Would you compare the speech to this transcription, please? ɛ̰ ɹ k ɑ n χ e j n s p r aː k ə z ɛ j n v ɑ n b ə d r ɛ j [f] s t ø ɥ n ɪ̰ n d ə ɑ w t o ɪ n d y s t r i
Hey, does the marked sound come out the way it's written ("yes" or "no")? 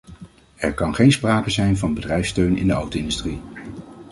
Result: yes